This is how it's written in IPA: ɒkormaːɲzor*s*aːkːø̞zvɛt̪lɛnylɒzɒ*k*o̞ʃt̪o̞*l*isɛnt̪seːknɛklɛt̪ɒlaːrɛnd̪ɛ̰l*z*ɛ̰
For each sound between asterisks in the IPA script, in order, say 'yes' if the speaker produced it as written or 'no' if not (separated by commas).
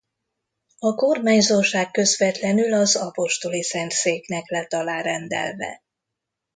no, no, yes, no